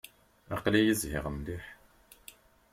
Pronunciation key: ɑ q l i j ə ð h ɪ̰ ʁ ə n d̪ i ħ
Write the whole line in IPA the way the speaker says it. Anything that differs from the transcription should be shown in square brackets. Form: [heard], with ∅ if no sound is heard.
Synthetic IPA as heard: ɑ q l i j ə [z] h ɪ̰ ʁ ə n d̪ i ħ